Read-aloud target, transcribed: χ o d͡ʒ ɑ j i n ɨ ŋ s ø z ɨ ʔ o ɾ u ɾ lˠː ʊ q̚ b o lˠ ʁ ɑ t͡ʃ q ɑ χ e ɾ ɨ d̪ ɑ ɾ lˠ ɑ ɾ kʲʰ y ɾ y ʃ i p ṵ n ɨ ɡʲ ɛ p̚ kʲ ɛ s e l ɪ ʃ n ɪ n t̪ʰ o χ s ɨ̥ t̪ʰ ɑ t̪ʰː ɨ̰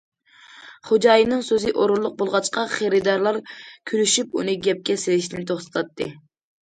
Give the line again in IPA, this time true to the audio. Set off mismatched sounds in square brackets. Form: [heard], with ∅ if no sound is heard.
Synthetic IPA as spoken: χ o d͡ʒ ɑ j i n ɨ ŋ s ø z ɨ ʔ o ɾ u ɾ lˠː ʊ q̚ b o lˠ ʁ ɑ t͡ʃ q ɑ χ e ɾ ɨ d̪ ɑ ɾ lˠ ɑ ɾ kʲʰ y ɾ y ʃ [y] p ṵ n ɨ ɡʲ ɛ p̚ kʲ ɛ s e l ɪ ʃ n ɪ n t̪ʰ o χ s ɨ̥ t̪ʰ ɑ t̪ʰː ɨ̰